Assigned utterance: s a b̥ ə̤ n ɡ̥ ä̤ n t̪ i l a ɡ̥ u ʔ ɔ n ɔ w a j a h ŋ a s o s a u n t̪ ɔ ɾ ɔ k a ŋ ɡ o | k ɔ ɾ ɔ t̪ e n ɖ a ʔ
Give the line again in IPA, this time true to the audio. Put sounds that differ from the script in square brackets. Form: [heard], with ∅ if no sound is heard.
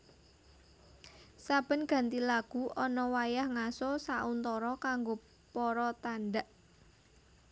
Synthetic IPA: s a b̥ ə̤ n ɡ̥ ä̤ n t̪ i l a ɡ̥ u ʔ ɔ n ɔ w a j a h ŋ a s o s a u n t̪ ɔ ɾ ɔ k a ŋ ɡ o | [p] ɔ ɾ ɔ t̪ [a] n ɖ a ʔ